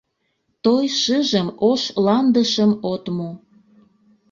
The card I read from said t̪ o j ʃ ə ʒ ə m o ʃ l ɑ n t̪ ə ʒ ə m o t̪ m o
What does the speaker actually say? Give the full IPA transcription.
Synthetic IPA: t̪ o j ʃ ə ʒ ə m o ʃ l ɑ n d̪ ə ʃ ə m o t̪ m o